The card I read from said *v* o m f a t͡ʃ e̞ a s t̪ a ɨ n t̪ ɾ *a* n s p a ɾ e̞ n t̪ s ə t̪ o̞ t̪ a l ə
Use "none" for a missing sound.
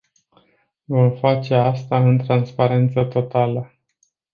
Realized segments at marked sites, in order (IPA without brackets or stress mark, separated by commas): v, a